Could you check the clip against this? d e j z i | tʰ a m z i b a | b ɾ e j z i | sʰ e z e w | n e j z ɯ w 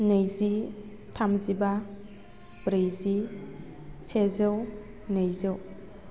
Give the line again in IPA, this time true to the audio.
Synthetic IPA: n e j z i | tʰ a m z i b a | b ɾ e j z i | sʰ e z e w | n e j z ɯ w